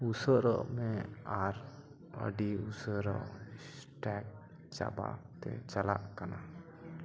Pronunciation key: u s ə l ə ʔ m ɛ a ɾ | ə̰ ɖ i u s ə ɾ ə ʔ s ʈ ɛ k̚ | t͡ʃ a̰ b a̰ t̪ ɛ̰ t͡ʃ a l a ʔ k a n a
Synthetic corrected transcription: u s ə ɾ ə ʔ m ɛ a ɾ | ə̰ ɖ i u s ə ɾ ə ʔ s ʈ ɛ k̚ | t͡ʃ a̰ b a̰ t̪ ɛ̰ t͡ʃ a l a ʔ k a n a